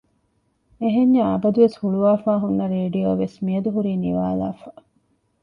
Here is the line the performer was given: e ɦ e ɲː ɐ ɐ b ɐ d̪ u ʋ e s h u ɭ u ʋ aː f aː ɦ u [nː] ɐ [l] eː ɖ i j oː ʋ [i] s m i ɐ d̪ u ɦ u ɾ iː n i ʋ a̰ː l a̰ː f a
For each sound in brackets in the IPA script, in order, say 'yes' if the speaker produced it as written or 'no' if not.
yes, no, no

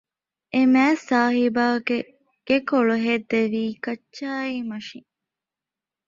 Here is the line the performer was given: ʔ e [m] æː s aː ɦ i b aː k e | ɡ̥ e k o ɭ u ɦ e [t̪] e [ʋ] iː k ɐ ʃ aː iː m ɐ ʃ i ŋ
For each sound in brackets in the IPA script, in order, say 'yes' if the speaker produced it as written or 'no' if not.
yes, no, yes

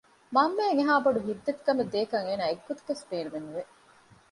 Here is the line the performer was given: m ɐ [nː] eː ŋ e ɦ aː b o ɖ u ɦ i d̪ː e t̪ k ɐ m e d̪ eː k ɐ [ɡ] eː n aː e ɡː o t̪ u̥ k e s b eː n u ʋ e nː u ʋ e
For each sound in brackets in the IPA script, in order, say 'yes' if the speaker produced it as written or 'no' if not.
no, no

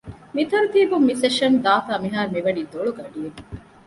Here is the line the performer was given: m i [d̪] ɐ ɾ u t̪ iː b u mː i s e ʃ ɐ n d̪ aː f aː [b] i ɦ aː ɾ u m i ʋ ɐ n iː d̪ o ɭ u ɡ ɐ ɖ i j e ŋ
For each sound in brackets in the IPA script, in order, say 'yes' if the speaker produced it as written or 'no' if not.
no, no

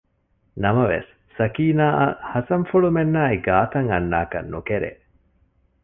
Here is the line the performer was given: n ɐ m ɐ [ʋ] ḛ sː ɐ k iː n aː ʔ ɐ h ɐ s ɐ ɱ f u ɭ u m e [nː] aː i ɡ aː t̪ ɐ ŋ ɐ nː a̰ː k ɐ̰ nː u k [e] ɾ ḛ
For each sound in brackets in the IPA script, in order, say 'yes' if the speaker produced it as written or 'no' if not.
yes, yes, yes

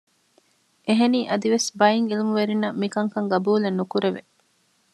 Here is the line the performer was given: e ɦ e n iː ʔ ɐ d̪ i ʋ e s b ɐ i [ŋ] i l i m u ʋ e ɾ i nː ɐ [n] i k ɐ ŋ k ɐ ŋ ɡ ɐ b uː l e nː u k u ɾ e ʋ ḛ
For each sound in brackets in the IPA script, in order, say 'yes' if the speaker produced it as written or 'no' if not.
yes, no

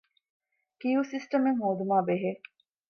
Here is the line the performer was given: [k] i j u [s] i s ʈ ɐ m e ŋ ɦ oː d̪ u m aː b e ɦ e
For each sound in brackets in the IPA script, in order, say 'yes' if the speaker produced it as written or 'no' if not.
yes, yes

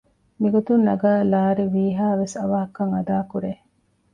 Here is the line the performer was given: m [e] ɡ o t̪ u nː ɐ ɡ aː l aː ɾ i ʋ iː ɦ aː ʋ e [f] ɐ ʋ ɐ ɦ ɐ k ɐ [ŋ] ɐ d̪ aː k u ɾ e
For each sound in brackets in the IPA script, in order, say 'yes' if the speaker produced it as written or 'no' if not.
no, no, yes

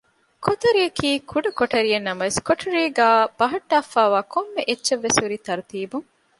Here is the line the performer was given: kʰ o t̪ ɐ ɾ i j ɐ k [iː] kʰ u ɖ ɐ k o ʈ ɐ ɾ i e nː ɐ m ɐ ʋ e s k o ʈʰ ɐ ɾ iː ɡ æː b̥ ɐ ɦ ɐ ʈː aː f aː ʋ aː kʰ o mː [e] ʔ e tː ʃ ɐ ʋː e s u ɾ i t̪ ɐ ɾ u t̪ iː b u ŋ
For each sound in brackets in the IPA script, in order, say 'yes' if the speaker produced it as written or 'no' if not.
yes, yes

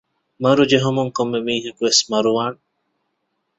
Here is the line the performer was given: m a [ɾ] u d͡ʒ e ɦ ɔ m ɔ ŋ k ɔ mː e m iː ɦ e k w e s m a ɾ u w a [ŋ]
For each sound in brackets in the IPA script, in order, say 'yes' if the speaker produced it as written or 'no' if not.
yes, no

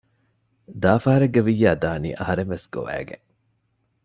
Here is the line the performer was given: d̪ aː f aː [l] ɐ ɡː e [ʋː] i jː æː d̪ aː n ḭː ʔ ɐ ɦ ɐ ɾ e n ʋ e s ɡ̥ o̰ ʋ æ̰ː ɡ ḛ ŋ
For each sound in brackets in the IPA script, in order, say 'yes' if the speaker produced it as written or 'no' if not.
no, no

